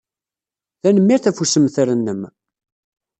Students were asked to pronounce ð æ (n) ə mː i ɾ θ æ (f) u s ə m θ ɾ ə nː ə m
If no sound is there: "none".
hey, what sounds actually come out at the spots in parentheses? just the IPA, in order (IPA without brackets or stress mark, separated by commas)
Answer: n, f